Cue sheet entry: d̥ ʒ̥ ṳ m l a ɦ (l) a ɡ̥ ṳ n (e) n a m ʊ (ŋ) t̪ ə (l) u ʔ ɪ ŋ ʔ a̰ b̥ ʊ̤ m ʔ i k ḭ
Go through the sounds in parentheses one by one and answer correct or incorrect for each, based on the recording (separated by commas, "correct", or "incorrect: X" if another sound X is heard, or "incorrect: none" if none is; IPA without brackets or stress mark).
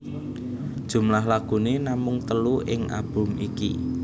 correct, correct, correct, correct